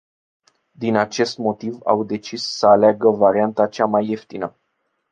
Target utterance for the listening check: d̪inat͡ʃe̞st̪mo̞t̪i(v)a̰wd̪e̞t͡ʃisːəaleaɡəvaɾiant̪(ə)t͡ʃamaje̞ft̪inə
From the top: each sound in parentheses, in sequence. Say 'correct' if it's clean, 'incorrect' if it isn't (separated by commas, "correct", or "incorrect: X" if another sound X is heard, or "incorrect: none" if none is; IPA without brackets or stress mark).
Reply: correct, incorrect: a